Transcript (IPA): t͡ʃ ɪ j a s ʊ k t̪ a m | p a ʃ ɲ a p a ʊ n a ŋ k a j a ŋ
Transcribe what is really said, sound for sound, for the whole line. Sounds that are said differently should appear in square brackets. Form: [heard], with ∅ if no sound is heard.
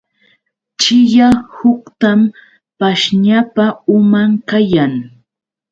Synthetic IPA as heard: t͡ʃ ɪ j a [h] ʊ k t̪ a m | p a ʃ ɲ a p a ʊ [m] a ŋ k a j a ŋ